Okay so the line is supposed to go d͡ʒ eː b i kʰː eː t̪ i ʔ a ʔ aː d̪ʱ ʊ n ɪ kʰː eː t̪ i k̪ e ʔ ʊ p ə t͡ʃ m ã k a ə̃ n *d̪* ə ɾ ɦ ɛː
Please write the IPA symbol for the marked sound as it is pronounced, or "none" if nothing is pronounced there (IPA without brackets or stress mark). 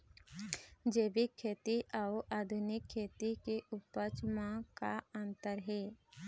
t̪